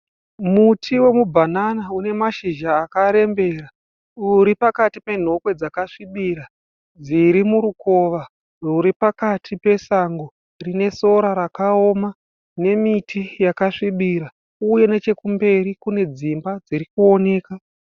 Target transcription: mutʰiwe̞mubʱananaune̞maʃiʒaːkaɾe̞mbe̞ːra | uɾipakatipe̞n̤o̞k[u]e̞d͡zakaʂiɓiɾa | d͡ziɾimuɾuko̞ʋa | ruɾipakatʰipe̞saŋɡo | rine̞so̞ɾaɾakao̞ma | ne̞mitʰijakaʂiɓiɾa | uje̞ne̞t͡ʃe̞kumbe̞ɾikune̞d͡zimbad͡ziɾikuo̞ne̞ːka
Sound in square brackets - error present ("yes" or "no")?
yes